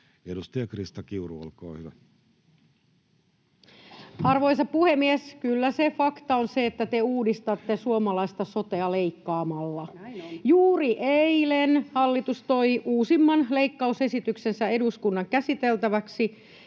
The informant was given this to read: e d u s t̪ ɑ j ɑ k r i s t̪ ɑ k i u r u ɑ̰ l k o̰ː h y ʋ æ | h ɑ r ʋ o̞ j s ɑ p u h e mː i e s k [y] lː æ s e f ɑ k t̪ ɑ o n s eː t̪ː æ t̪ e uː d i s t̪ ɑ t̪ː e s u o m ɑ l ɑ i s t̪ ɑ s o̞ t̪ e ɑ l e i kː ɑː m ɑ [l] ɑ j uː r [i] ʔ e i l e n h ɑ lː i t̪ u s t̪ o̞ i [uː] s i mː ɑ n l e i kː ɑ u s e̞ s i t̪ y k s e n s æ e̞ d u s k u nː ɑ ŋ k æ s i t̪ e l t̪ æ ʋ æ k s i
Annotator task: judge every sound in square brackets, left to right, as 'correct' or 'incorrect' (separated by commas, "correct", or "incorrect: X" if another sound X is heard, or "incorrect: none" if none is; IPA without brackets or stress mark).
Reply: correct, incorrect: lː, correct, correct